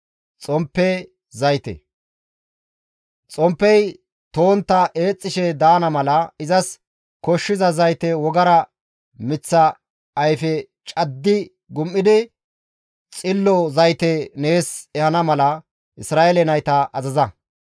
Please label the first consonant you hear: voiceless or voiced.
voiceless